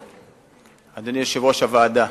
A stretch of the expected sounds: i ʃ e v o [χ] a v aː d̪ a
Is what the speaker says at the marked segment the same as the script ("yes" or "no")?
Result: no